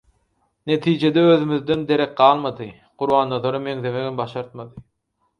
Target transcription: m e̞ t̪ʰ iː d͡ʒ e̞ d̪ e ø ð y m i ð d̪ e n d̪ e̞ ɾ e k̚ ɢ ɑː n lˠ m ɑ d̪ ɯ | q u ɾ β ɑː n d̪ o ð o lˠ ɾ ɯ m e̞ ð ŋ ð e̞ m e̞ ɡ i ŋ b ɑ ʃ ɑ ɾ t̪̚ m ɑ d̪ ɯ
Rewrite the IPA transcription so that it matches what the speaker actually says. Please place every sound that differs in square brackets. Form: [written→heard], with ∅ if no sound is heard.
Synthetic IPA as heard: [m→n] e̞ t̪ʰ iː d͡ʒ e̞ d̪ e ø ð y m [i→y] ð d̪ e n d̪ e̞ ɾ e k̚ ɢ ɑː [n→∅] lˠ m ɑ d̪ ɯ | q u ɾ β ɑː n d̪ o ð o [lˠ→∅] ɾ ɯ m e̞ [ð→∅] ŋ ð e̞ m e̞ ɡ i [ŋ→m] b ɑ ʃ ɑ ɾ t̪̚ m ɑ d̪ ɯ